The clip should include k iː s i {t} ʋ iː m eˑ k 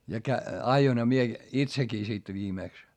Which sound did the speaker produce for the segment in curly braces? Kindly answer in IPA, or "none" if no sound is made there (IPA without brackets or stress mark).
t